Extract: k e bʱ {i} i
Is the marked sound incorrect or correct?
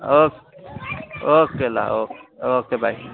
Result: incorrect